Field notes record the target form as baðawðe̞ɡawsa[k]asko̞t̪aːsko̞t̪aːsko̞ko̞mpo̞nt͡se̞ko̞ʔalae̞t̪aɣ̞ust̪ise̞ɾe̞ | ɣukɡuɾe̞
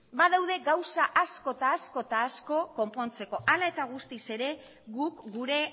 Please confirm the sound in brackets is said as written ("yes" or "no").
no